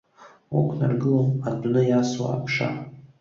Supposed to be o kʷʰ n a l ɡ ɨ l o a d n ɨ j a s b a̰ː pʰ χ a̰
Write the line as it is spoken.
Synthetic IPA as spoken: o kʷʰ n a r ɡ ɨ l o a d n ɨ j a s w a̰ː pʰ ʂ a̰